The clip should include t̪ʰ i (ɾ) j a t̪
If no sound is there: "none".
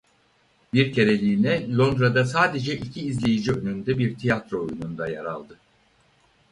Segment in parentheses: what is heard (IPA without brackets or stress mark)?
none